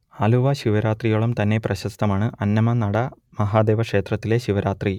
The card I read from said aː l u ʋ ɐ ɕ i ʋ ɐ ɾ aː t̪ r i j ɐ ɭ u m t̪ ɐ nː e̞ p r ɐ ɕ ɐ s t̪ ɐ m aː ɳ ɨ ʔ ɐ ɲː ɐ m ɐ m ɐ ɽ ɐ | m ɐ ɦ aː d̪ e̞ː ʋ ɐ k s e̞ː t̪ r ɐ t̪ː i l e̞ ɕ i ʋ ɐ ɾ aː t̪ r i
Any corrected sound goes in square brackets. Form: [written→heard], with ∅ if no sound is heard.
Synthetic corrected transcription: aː l u ʋ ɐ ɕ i ʋ ɐ ɾ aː t̪ r i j ɐ ɭ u m t̪ ɐ nː e̞ p r ɐ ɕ ɐ s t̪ ɐ m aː ɳ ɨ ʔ ɐ [ɲː→nː] ɐ m ɐ [m→n] ɐ ɽ ɐ | m ɐ ɦ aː d̪ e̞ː ʋ ɐ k [s→ʂ] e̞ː t̪ r ɐ t̪ː i l e̞ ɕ i ʋ ɐ ɾ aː t̪ r i

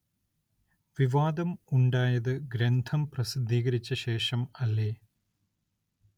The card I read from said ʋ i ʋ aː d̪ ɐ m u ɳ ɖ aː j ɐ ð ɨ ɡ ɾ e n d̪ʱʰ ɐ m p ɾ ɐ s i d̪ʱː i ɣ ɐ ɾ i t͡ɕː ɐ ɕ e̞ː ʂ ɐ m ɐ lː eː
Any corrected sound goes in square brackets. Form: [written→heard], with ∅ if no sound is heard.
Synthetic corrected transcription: ʋ i ʋ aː d̪ ɐ m u ɳ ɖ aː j ɐ ð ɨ ɡ ɾ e n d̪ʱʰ ɐ m p [ɾ→r] ɐ s i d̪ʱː [i→iː] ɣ ɐ ɾ i t͡ɕː ɐ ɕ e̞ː ʂ ɐ m ɐ lː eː

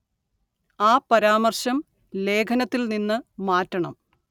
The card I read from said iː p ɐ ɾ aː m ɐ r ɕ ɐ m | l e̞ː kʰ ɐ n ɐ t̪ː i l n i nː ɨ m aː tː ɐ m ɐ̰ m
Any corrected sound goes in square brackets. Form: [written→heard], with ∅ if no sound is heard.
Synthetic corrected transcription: [iː→aː] p ɐ ɾ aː m ɐ r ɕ ɐ m | l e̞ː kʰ ɐ n ɐ t̪ː i l n i nː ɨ m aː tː ɐ [m→ɳ] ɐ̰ m

